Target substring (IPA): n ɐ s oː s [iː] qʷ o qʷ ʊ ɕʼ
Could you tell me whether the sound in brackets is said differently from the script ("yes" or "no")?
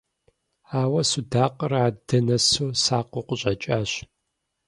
yes